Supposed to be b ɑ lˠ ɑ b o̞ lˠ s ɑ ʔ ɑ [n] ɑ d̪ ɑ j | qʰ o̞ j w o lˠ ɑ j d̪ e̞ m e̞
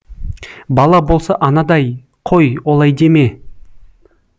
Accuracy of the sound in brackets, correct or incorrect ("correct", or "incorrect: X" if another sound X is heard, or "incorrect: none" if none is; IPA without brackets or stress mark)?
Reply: correct